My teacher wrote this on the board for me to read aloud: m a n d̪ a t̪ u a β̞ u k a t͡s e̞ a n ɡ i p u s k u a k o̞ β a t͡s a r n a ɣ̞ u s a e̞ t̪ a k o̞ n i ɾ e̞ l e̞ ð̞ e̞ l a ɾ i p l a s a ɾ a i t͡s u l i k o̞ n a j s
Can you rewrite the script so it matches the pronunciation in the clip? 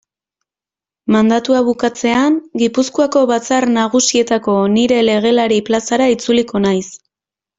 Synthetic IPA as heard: m a n d̪ a t̪ u a β̞ u k a t͡s e̞ a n ɡ i p u s k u a k o̞ β a t͡s a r n a ɣ̞ u s i e̞ t̪ a k o̞ n i ɾ e̞ l e̞ ɣ̞ e̞ l a ɾ i p l a s a ɾ a i t͡s u l i k o̞ n a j s